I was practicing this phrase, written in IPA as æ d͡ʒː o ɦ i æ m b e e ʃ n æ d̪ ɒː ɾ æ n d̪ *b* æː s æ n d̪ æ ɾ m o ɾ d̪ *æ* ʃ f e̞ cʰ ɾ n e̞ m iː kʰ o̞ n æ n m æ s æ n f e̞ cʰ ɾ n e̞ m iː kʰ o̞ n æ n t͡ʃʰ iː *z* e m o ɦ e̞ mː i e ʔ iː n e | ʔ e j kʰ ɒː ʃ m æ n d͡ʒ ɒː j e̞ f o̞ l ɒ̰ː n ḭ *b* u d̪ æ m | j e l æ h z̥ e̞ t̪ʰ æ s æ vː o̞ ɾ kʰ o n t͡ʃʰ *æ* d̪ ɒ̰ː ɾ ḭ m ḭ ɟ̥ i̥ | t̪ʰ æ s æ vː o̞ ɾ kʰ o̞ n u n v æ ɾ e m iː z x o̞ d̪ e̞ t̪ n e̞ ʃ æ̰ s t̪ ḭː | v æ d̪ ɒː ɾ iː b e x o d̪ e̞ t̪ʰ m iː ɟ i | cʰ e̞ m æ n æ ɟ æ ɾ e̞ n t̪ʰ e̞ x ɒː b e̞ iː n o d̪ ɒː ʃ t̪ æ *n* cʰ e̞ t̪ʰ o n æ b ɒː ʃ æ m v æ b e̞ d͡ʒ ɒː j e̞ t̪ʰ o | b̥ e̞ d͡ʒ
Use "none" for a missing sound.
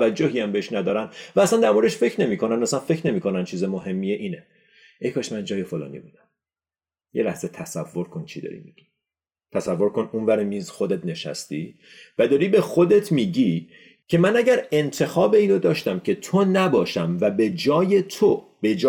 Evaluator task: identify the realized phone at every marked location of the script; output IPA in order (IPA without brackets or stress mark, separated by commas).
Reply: v, e, z, b, i, m